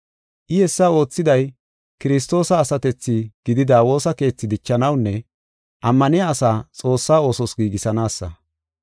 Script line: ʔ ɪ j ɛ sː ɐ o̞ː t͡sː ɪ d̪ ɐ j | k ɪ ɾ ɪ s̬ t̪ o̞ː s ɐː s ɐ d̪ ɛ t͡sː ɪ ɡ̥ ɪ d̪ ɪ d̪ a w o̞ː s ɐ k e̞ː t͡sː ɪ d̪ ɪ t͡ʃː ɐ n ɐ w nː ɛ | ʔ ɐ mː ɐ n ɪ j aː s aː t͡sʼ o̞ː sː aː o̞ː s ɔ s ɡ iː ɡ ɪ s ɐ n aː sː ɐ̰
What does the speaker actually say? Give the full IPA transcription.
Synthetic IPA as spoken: ʔ ɪ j ɛ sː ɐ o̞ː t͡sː ɪ d̪ ɐ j | k ɪ ɾ ɪ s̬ t̪ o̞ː s ɐː s ɐ t̪ ɛ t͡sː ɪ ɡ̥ ɪ d̪ ɪ d̪ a w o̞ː s ɐ k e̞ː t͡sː ɪ d̪ ɪ t͡ʃː ɐ n ɐ w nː ɛ | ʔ ɐ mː ɐ n ɪ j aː s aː t͡sʼ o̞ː sː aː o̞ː s ɔ s ɡ iː ɡ ɪ s ɐ n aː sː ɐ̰